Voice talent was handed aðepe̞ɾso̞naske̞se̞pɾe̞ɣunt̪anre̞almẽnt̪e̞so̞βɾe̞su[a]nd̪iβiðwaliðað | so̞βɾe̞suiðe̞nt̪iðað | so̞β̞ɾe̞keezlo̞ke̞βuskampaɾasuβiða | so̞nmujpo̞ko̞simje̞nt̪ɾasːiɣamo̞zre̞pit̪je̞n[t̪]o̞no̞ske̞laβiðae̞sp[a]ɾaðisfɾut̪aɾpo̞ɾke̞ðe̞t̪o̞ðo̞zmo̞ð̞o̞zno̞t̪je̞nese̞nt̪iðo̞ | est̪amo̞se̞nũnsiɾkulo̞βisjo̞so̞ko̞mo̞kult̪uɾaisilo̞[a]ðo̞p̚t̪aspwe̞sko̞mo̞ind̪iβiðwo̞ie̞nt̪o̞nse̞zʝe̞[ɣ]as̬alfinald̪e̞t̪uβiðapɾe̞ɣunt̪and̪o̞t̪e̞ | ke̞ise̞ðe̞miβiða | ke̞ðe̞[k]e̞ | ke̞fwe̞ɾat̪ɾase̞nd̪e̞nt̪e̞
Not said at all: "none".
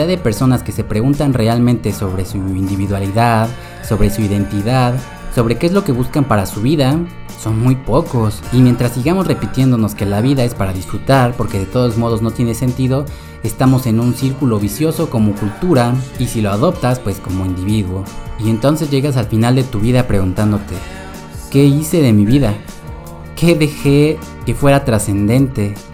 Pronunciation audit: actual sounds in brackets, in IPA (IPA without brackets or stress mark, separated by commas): i, d̪, a, a, ɣ, x